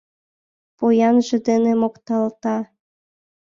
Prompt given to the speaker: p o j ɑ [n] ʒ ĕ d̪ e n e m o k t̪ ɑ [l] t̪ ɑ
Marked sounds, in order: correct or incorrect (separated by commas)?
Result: correct, correct